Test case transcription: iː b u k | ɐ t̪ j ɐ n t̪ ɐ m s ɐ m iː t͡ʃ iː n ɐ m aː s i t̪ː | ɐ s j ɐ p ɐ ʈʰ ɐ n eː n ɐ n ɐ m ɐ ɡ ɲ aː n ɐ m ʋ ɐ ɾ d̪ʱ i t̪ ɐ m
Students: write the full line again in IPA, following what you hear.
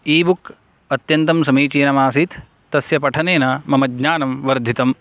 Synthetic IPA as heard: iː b u k | ɐ t̪ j ɐ n t̪ ɐ m s ɐ m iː t͡ʃ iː n ɐ m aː s i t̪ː | ɐ s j ɐ p ɐ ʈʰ ɐ n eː n ɐ m ɐ m ɐ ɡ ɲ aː n ɐ m ʋ ɐ ɾ d̪ʱ i t̪ ɐ m

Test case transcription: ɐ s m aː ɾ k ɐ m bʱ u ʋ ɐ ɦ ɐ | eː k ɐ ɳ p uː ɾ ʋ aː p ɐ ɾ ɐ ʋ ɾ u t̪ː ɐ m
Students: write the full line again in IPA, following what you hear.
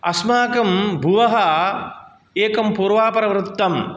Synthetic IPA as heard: ɐ s m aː k ɐ m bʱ u ʋ ɐ ɦ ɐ | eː k ɐ m p uː ɾ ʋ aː p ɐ ɾ ɐ ʋ ɾ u t̪ː ɐ m

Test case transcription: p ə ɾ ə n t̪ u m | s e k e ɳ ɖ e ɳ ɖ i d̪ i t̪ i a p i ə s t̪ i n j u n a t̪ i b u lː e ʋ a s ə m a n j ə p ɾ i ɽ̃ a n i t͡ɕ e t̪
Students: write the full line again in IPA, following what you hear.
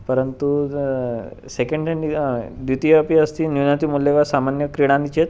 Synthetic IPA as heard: p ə ɾ ə n t̪ u | s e k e ɳ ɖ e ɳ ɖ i d̪ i t̪ i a p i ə s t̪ i n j u n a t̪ i m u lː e ʋ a s a m a n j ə k ɾ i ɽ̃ a n i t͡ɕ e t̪

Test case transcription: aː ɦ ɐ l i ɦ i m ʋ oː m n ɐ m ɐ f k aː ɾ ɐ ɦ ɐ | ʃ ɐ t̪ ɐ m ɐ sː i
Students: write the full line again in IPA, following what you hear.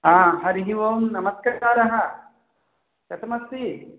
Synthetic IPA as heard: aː ɦ ɐ ɾ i ɦ i ʋ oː m n ɐ m ɐ s k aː ɾ ɐ ɦ ɐ | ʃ ɐ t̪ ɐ m ɐ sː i

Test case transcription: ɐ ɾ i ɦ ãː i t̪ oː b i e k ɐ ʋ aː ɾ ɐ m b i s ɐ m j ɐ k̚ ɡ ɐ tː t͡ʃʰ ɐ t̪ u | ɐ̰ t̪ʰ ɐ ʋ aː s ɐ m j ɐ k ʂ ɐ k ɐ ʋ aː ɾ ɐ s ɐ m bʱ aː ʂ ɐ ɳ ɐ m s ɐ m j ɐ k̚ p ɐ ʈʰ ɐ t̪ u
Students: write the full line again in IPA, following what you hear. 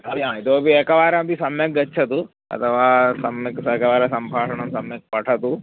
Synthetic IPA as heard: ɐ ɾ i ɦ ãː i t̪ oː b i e k ɐ ʋ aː ɾ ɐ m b i s ɐ m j ɐ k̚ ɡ ɐ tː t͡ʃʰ ɐ t̪ u | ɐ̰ t̪ʰ ɐ ʋ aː s ɐ m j ɐ k s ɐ k ɐ ʋ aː ɾ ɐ s ɐ m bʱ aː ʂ ɐ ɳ ɐ m s ɐ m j ɐ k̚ p ɐ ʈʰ ɐ t̪ u

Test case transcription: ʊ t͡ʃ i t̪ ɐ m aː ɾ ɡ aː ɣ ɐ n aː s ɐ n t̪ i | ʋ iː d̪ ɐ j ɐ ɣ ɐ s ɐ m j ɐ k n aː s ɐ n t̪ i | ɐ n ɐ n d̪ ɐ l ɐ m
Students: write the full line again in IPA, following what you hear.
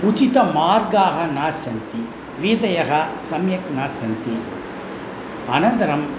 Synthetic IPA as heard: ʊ t͡ʃ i t̪ ɐ m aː ɾ ɡ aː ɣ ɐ n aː s ɐ n t̪ i | ʋ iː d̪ ɐ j ɐ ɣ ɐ s ɐ m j ɐ k n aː s ɐ n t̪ i | ɐ n ɐ n d̪ ɐ ɾ ɐ m

